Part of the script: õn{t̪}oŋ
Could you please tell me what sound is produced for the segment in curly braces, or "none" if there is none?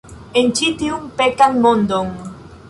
d̪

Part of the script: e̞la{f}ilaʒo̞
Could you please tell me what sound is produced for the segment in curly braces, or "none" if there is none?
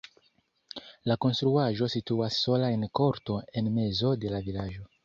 v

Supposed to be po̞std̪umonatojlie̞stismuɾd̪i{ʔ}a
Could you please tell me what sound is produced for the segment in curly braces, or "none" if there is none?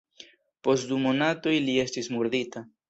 t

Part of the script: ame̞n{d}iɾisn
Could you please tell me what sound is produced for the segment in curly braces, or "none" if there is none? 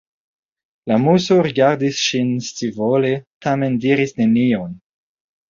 d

